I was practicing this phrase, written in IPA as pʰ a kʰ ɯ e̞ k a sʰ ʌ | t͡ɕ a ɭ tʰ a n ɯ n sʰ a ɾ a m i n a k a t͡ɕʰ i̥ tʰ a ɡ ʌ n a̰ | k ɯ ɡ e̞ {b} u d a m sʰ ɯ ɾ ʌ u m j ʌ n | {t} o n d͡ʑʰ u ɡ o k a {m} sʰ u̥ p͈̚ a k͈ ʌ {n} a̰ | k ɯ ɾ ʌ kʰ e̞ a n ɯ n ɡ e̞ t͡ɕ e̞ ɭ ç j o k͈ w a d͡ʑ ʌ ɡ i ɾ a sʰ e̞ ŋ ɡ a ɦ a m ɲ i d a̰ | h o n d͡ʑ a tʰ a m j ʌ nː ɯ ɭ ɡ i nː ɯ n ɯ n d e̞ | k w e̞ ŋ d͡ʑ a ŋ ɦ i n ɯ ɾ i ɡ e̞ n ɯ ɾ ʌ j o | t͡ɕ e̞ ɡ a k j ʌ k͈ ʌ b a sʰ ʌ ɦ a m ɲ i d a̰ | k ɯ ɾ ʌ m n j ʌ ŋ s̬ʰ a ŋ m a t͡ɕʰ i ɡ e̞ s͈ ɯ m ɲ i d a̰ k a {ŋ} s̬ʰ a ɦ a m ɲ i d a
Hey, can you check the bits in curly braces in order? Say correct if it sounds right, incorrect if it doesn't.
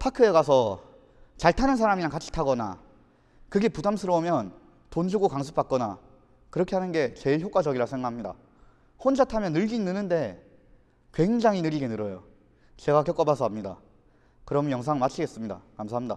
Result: incorrect: p, correct, incorrect: ŋ, correct, incorrect: m

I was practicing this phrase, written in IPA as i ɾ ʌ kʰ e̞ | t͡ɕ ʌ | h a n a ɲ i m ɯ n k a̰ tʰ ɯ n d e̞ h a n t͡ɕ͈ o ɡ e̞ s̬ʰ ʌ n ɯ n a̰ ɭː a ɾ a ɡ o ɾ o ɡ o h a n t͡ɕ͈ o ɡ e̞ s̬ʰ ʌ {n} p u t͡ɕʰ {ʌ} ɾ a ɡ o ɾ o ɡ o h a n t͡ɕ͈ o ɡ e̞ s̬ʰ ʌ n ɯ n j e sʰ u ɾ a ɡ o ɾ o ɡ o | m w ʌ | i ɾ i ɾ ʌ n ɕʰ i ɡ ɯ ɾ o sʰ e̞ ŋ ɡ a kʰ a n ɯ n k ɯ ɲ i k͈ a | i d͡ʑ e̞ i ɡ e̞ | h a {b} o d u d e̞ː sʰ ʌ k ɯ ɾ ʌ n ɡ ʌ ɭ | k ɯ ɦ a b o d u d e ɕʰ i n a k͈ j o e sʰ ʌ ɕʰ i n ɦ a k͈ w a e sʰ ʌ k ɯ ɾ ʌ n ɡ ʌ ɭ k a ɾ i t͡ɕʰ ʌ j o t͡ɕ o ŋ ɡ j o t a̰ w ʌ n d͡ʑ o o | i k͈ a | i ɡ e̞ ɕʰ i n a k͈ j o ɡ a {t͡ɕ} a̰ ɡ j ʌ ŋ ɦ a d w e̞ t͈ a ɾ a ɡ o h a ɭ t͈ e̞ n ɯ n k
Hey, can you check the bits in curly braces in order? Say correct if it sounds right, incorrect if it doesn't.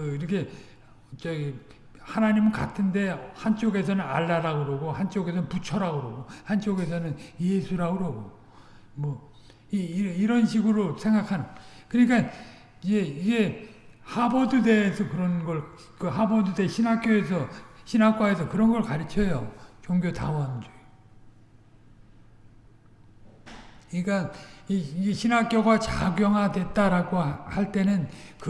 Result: correct, correct, correct, correct

